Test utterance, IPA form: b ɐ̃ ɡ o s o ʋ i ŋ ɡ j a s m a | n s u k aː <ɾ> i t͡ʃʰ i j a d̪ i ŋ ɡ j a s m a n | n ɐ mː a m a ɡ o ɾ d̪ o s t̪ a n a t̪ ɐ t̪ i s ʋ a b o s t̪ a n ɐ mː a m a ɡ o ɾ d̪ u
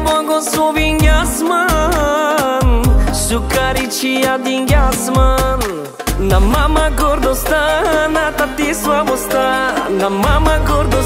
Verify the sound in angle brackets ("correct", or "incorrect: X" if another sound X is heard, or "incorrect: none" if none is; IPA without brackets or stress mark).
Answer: correct